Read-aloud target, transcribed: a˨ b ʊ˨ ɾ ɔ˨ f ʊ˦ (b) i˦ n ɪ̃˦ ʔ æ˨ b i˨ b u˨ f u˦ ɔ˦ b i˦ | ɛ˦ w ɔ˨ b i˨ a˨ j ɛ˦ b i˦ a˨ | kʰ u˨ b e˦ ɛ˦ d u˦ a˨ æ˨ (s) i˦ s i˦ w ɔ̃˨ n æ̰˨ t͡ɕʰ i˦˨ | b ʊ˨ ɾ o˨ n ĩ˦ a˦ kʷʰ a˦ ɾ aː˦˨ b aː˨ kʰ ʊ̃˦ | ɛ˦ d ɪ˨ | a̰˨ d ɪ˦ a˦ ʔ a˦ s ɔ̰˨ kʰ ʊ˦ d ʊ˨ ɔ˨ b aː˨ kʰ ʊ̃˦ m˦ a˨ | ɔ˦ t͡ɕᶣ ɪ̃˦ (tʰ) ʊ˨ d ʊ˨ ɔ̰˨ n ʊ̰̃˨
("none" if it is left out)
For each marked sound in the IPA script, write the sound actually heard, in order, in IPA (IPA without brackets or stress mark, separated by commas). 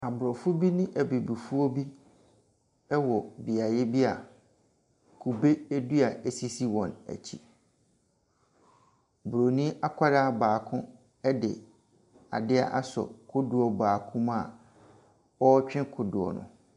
b, s, kʰ